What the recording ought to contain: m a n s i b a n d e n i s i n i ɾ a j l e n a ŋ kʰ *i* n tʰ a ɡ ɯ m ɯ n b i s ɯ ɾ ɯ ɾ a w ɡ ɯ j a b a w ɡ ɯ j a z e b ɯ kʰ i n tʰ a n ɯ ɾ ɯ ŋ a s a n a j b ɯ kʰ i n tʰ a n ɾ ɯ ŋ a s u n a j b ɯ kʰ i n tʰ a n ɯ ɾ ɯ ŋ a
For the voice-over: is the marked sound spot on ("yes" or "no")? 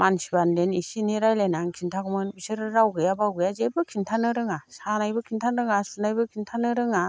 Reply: yes